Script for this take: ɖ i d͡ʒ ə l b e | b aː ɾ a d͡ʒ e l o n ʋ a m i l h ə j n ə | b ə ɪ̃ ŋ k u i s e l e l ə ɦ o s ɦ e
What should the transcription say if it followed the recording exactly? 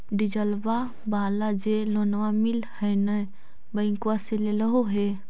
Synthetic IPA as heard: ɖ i d͡ʒ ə l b a | b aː l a d͡ʒ e l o n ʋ a m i l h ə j n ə | b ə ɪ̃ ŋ k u a s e l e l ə ɦ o ɦ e